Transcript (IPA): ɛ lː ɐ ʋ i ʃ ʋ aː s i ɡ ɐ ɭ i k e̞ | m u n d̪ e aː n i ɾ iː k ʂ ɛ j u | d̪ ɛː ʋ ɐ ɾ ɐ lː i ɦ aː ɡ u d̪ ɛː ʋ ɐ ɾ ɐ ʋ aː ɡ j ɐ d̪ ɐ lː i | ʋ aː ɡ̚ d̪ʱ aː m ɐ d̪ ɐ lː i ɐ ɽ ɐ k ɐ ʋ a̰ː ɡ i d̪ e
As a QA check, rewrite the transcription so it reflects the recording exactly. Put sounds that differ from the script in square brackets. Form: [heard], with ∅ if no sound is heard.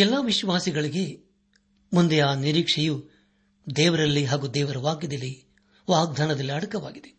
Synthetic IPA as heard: ɛ lː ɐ ʋ i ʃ ʋ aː s i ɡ ɐ ɭ i [ɡ] e̞ | m u n d̪ e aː n i ɾ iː k ʂ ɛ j u | d̪ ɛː ʋ ɐ ɾ ɐ lː i ɦ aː ɡ u d̪ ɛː ʋ ɐ ɾ ɐ ʋ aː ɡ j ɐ d̪ ɐ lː i | ʋ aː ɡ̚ d̪ʱ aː [n] ɐ d̪ ɐ lː i ɐ ɽ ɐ k ɐ ʋ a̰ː ɡ i d̪ e